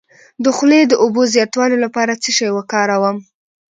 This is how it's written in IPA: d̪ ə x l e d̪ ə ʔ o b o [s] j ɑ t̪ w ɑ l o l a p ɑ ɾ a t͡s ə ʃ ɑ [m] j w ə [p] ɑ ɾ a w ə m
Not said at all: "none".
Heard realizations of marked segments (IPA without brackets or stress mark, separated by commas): z, none, k